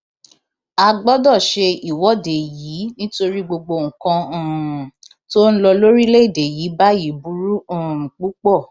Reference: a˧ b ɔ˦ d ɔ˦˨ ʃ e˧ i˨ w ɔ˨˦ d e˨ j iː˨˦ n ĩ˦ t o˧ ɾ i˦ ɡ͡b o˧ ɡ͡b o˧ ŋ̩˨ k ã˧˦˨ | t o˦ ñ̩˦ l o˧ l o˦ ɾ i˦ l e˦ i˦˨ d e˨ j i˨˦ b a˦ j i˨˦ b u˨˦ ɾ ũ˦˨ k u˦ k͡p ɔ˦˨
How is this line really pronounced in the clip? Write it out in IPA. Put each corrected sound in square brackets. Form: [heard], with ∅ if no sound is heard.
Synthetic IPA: a˧ [ɡ͡b] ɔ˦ d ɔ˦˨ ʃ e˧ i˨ w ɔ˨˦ d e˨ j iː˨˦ n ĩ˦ t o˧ ɾ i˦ ɡ͡b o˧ ɡ͡b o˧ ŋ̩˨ k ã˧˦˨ | t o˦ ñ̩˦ l [ɔ˧] l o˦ ɾ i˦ l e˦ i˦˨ d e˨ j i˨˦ b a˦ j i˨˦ b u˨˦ ɾ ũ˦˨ [k͡p] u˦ k͡p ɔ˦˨